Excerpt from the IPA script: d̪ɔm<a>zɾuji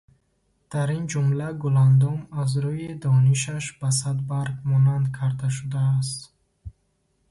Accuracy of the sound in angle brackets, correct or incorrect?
correct